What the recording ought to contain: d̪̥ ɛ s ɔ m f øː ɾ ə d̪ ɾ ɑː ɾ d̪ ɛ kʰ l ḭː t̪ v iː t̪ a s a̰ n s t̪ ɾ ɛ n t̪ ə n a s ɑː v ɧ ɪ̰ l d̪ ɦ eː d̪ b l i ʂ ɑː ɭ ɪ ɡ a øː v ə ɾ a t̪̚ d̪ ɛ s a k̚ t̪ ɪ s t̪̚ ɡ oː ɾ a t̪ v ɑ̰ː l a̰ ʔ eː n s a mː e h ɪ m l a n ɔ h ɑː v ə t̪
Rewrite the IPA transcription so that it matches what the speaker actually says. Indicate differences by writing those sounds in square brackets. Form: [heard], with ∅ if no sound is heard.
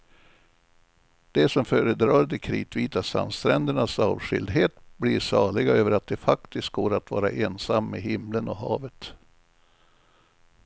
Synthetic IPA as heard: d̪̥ ɛ s ɔ m f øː ɾ ə d̪ ɾ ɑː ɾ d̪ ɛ kʰ [ɾ] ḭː t̪ v iː t̪ a s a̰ n s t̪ ɾ ɛ n [d̪] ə [ɳ] a s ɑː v ɧ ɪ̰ l d̪ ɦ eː [t̪] b l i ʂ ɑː ɭ ɪ ɡ a øː v ə ɾ a t̪̚ d̪ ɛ [f] a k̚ t̪ ɪ s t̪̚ ɡ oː ɾ a t̪ v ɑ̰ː [ɾ] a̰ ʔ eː n s a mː e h ɪ m l [ə] n ɔ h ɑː v ə t̪